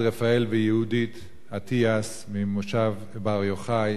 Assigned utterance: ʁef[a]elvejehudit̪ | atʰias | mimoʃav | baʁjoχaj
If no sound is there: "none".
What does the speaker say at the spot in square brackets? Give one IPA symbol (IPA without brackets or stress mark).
a